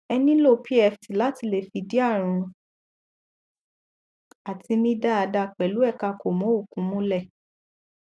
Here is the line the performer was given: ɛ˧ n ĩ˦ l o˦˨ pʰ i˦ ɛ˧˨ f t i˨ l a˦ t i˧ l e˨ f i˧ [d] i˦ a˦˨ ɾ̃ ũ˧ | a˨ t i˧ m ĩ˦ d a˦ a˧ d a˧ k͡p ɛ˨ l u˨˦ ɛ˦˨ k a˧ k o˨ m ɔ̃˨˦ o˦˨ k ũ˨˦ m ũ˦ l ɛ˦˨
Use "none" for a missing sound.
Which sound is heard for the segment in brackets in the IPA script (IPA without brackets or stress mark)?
d